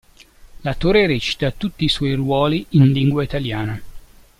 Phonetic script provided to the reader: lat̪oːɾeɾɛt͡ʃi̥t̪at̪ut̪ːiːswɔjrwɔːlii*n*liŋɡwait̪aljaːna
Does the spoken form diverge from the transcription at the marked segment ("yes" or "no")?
no